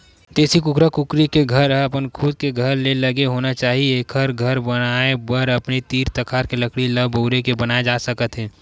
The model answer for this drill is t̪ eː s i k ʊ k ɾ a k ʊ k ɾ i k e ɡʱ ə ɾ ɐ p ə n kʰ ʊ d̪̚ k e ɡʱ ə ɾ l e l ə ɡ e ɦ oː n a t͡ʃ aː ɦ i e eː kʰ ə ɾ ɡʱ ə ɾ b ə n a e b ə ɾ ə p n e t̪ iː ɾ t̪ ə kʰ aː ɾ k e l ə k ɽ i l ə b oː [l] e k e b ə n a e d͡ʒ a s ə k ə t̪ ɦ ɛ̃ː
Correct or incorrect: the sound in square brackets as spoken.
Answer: incorrect: ɾ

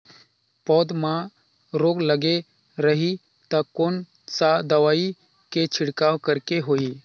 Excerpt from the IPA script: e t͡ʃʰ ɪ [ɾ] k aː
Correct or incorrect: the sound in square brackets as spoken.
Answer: incorrect: ɽ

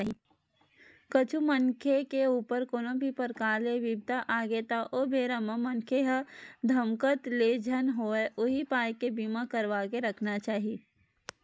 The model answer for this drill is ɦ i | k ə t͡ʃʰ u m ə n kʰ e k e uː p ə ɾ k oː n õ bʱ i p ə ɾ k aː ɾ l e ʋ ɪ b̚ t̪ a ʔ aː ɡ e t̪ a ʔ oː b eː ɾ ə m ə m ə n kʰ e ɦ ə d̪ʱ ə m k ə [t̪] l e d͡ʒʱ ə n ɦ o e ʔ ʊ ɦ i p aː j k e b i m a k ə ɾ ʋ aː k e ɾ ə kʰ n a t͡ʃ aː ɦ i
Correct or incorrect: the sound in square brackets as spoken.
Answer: correct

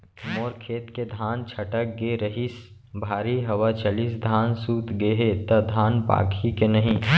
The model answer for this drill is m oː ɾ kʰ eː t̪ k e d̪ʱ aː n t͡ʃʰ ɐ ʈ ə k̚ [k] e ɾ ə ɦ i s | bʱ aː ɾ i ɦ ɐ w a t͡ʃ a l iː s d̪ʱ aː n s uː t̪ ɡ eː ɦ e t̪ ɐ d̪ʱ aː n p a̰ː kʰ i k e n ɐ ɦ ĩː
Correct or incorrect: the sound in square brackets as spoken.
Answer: incorrect: ɡ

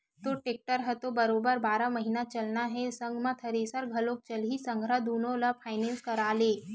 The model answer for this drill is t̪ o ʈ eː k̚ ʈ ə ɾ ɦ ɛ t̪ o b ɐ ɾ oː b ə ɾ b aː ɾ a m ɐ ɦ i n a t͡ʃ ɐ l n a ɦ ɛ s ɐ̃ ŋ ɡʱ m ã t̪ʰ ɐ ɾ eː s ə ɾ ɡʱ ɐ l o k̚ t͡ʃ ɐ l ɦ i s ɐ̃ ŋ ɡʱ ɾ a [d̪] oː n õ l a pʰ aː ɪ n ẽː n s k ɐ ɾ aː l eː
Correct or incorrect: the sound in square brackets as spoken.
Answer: correct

